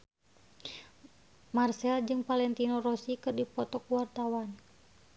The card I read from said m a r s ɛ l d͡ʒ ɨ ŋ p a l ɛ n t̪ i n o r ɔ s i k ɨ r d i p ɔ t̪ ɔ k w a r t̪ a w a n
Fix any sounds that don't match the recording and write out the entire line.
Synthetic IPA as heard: m a r s ɛ l d͡ʒ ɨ ŋ p a l ɛ n t̪ i n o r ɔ s i k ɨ r d i p ɔ t̪ ɔ k w a r t̪ a w a n